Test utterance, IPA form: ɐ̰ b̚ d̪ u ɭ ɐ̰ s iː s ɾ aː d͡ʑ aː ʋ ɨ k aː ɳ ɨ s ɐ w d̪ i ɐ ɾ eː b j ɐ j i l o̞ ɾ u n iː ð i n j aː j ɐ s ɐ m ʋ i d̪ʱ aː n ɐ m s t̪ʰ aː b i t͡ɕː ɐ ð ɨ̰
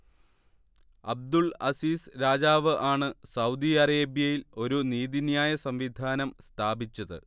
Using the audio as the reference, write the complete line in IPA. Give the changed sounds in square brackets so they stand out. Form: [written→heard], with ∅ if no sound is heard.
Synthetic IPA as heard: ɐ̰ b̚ d̪ u ɭ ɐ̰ s iː s ɾ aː d͡ʑ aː ʋ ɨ [k→ʔ] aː ɳ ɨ s ɐ w d̪ i ɐ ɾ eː b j ɐ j i l o̞ ɾ u n iː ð i n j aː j ɐ s ɐ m ʋ i d̪ʱ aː n ɐ m s t̪ʰ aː b i t͡ɕː ɐ ð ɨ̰